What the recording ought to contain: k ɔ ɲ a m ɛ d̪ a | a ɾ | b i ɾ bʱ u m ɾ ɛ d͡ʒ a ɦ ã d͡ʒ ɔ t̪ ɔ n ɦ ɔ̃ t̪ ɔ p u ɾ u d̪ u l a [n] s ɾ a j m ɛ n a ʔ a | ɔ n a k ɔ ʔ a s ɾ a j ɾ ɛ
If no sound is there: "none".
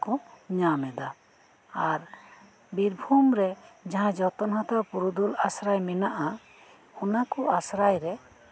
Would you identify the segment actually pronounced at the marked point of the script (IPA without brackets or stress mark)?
none